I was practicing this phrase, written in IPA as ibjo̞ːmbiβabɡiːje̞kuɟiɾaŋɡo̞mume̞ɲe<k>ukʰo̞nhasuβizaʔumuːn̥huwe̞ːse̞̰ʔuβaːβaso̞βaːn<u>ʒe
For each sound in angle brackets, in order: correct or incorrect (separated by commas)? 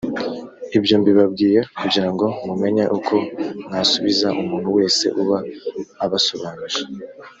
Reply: incorrect, correct